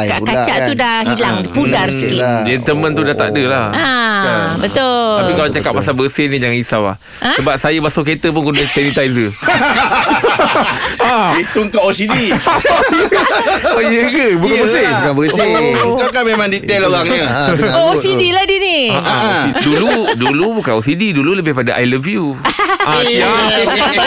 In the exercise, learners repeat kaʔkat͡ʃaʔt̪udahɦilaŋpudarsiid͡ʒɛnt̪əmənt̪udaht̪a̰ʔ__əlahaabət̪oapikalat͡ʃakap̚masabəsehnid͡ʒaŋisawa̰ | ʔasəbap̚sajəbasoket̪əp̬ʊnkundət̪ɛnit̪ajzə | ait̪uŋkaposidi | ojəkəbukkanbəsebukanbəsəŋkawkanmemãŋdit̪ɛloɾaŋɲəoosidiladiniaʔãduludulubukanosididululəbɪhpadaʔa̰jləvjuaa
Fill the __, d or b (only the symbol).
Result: d